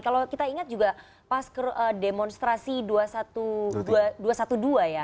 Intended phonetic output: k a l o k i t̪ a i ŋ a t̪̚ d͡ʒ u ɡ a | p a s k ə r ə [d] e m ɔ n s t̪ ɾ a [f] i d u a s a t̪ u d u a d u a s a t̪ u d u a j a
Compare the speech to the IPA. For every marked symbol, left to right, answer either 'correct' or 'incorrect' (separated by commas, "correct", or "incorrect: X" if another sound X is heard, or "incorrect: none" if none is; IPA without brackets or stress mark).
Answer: correct, incorrect: s